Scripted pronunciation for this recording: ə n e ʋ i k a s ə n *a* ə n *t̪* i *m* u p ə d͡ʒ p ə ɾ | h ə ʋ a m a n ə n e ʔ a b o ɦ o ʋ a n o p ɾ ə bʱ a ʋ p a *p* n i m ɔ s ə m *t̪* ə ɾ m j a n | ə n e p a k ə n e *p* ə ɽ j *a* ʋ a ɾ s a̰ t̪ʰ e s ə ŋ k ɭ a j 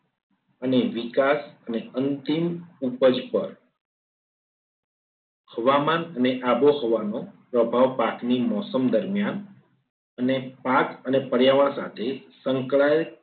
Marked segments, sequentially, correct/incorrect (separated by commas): incorrect, correct, correct, incorrect, incorrect, correct, correct